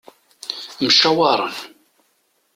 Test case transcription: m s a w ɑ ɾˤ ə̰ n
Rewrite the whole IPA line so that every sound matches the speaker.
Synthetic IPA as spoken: m ʃ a w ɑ ɾˤ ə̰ n